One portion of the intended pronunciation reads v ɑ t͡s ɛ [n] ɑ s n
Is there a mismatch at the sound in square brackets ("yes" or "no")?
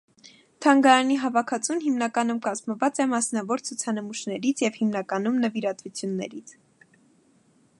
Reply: yes